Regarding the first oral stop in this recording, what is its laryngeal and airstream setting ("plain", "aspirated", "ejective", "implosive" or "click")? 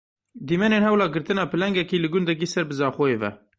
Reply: plain